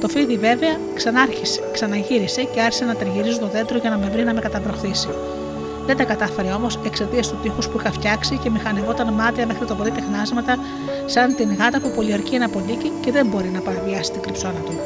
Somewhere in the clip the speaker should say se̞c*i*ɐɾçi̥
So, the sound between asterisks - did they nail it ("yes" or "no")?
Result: no